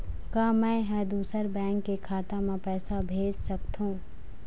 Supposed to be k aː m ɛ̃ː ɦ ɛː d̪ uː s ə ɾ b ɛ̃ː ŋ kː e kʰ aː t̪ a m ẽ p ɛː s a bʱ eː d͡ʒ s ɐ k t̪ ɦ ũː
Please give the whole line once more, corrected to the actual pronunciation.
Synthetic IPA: k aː m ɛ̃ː ɦ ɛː d̪ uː s ə ɾ b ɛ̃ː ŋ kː e kʰ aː t̪ a m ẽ p ɛː s a bʱ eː d͡ʒ s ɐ k t̪ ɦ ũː